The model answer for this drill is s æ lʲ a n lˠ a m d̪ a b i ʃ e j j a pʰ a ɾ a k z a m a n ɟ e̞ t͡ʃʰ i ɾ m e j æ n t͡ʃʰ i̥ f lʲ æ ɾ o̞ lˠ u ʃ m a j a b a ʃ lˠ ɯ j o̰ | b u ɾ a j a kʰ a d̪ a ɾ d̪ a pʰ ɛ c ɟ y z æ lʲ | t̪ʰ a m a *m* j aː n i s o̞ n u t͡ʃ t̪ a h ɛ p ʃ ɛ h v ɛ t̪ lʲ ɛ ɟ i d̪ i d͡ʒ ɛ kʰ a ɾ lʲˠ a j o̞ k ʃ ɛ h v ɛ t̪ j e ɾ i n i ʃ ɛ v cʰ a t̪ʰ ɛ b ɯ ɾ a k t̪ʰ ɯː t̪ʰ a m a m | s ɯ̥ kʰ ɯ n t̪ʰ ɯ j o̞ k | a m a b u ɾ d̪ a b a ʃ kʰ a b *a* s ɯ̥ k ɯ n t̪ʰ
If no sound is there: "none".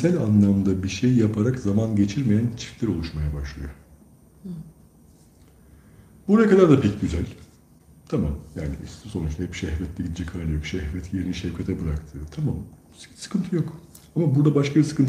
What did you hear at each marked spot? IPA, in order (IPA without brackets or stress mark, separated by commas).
m, i